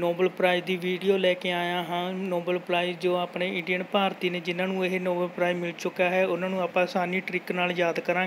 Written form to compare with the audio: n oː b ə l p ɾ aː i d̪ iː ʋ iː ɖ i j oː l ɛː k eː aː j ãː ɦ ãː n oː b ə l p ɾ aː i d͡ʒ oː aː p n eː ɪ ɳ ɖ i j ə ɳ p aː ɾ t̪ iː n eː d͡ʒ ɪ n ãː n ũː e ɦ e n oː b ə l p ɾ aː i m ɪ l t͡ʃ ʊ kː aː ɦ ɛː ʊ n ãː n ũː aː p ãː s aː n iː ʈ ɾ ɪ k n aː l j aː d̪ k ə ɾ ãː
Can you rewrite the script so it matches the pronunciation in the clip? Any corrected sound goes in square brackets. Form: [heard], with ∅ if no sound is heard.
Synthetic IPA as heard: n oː b ə l p ɾ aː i d̪ iː ʋ iː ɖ i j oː l ɛː k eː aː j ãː ɦ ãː n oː b ə l p ɾ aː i d͡ʒ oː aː p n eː ɪ ɳ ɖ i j ə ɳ p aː ɾ t̪ iː n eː d͡ʒ ɪ n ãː n ũː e ɦ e n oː b ə l p ɾ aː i m ɪ l t͡ʃ ʊ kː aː ɦ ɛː ʊ n ãː n ũː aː p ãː s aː n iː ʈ ɾ ɪ k n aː l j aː d̪ k ə ɾ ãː